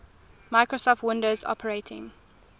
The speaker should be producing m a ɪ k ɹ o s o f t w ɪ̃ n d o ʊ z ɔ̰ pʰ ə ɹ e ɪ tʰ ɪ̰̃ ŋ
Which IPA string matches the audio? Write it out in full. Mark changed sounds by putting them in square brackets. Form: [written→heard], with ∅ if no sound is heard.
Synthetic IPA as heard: m a ɪ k ɹ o s [o→ɔ] f t w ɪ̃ n d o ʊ z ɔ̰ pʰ ə ɹ e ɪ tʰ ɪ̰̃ ŋ